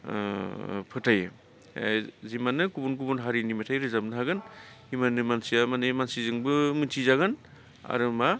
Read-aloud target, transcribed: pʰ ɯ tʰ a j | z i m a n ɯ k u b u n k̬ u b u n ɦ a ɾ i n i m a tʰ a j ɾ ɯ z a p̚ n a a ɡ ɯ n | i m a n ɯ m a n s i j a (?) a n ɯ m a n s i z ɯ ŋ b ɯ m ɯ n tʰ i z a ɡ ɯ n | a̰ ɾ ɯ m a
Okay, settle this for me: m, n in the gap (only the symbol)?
m